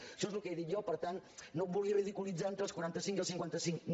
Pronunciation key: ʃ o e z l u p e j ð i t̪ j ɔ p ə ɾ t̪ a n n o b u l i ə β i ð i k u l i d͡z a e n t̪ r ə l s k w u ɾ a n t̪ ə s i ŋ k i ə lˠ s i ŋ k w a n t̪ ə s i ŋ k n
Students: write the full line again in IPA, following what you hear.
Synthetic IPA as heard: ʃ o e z l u k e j ð i t̪ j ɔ p ə ɾ t̪ a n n o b u l i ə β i ð i k u l i d͡z a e n t̪ ɾ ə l s k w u ɾ a n t̪ ə s i ŋ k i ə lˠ s i ŋ k w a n t̪ ə s i ŋ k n

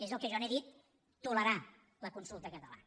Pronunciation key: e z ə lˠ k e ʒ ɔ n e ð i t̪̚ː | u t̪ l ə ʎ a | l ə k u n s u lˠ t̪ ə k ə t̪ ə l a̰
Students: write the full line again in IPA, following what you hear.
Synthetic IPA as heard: e z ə lˠ k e ʒ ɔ n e ð i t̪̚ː | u l ə ɾ a | l ə k u n s u lˠ t̪ ə k ə t̪ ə l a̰

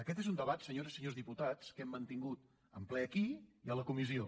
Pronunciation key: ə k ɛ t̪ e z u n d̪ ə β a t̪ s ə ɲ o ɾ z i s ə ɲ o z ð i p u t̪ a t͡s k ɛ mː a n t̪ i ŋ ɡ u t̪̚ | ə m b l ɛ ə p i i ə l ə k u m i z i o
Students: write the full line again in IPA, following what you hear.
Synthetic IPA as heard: ə k ɛ t̪ e z u n d̪ ə β a t̪ s ə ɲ o ɾ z i s ə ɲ o z ð i p u t̪ a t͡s k ɛ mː ə n t̪ i ŋ ɡ u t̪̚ | ə m p l ɛ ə k i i ə l ə k u m i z i o

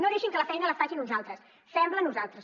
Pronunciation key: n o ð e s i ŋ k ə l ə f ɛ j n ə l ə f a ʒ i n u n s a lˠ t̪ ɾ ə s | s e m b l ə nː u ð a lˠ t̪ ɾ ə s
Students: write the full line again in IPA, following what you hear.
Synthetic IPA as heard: n o ð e ʃ i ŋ k ə l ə f ɛ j n ə l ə f a ʒ i n u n z a lˠ t̪ ɾ ə s | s ɛ m b l ə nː u z a lˠ t̪ ɾ ə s

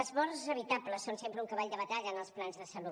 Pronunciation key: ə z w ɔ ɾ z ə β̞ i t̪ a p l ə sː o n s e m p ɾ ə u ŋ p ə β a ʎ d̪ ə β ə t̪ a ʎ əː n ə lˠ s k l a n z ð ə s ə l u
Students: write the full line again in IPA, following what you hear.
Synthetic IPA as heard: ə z β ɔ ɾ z ə β̞ i t̪ a p l ə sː o n s e m p ɾ ə u ŋ k ə β a ʎ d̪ ə β ə t̪ a ʎ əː n ə lˠ s p l a n z ð ə s ə l u

